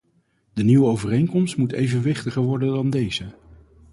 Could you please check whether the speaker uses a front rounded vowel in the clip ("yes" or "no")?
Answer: no